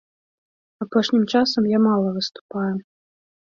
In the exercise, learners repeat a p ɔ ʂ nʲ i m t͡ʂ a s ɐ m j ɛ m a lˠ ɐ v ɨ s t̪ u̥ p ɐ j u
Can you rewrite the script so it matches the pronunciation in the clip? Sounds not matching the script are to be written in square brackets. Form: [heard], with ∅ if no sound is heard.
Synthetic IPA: a p ɔ ʂ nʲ i m t͡ʂ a s ɐ m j [a] m a lˠ ɐ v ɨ s t̪ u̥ p [a] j u

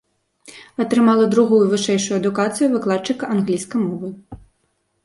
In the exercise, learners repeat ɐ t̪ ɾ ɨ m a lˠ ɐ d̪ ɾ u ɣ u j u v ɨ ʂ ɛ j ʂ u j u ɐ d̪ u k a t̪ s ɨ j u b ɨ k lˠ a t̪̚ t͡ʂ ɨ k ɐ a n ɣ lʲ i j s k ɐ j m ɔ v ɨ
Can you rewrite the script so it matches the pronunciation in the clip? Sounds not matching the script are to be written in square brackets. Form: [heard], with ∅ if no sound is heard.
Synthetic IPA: ɐ t̪ ɾ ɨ m a lˠ ɐ d̪ ɾ u ɣ u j u v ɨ ʂ ɛ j ʂ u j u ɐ d̪ u k a t̪ s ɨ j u [v] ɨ k lˠ a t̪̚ t͡ʂ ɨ k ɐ a n ɣ lʲ i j s k ɐ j m ɔ v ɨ

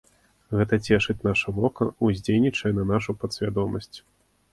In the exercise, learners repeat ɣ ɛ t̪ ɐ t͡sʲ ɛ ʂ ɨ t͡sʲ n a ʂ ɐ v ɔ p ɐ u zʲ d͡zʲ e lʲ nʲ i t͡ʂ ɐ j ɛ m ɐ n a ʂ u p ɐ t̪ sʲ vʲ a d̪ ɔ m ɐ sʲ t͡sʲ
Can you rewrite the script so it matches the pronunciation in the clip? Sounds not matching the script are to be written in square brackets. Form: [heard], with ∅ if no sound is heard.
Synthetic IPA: ɣ ɛ t̪ ɐ t͡sʲ ɛ ʂ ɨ t͡sʲ n a ʂ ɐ v ɔ [k] ɐ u zʲ d͡zʲ e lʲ nʲ i t͡ʂ ɐ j ɛ [n] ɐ n a ʂ u p ɐ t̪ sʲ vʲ a d̪ ɔ m ɐ sʲ t͡sʲ

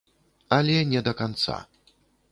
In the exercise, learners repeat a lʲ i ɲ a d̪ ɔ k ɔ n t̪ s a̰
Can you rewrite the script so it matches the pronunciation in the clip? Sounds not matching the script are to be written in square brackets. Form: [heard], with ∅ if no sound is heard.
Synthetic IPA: a lʲ [ɛ] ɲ [ɛ] d̪ ɔ k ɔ n t̪ s a̰

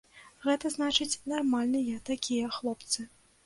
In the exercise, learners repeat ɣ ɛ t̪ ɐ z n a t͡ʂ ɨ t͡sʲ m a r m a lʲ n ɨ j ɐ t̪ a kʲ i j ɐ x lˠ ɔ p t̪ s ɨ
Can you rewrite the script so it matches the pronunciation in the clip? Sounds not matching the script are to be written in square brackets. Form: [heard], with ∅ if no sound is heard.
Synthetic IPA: ɣ ɛ t̪ ɐ z n a t͡ʂ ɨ t͡sʲ [n] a r m a lʲ n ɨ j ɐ t̪ a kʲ i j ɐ x lˠ ɔ p t̪ s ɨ

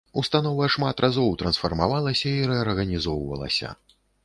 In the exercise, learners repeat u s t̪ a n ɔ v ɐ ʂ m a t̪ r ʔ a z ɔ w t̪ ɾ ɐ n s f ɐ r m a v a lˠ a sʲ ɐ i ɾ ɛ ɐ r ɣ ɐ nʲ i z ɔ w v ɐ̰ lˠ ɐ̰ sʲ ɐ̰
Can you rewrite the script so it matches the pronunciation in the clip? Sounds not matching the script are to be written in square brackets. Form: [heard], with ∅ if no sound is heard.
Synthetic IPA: u s t̪ a n ɔ v ɐ ʂ m a t̪ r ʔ a z ɔ w t̪ ɾ ɐ n s f ɐ r m a v a lˠ [ɐ] sʲ ɐ i ɾ ɛ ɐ r ɣ ɐ nʲ i z ɔ w v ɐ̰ lˠ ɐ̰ sʲ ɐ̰

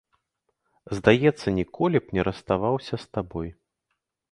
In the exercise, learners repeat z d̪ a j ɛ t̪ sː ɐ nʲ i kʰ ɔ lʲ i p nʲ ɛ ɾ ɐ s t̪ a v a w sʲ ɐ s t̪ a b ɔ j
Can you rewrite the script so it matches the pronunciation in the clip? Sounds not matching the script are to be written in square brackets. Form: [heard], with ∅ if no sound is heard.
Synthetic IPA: z d̪ a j ɛ t̪ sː ɐ nʲ i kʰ ɔ lʲ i p nʲ ɛ ɾ ɐ s t̪ a v a w sʲ ɐ s t̪ a b ɔ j

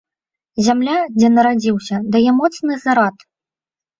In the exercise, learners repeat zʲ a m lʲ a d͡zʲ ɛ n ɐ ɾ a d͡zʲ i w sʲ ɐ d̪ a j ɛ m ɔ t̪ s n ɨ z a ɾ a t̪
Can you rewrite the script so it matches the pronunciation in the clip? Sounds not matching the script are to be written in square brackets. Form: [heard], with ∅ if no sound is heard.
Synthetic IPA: zʲ a m lʲ a d͡zʲ ɛ n ɐ ɾ a d͡zʲ i w sʲ ɐ d̪ a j ɛ m ɔ t̪ s n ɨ z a ɾ a t̪

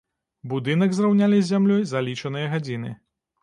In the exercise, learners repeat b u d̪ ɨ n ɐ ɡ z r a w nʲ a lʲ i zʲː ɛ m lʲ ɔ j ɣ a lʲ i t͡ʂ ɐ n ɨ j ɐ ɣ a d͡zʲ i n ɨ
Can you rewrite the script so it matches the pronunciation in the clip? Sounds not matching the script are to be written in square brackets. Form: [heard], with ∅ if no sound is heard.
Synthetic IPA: b u d̪ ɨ n ɐ ɡ z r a w nʲ a lʲ i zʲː [a] m lʲ ɔ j [z] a lʲ i t͡ʂ ɐ n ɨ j ɐ ɣ a d͡zʲ i n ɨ

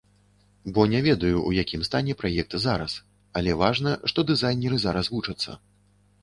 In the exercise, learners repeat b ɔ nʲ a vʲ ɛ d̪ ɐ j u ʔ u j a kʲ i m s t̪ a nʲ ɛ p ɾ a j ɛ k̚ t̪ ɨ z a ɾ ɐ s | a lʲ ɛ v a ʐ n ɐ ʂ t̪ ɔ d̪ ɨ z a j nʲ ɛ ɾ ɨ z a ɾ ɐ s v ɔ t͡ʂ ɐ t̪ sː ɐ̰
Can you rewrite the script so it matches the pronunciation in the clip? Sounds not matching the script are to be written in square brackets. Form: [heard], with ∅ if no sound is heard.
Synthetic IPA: b ɔ nʲ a vʲ ɛ d̪ ɐ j u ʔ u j a kʲ i m s t̪ a nʲ ɛ p ɾ a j ɛ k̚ t̪ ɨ z a ɾ ɐ s | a lʲ ɛ v a ʐ n ɐ ʂ t̪ ɔ d̪ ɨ z a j nʲ ɛ ɾ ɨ z a ɾ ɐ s v [u] t͡ʂ ɐ t̪ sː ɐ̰

